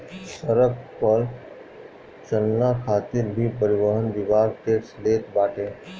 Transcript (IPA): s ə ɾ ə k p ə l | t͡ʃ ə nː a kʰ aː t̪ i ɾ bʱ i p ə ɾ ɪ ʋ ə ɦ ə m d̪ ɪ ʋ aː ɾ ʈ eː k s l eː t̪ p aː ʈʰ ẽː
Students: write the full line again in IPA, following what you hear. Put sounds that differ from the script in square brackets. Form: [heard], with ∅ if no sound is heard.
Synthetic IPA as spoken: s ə ɾ ə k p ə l | t͡ʃ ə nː a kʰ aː t̪ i ɾ bʱ i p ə ɾ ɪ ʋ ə ɦ ə [n] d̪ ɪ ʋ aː ɾ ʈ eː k s l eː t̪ [b] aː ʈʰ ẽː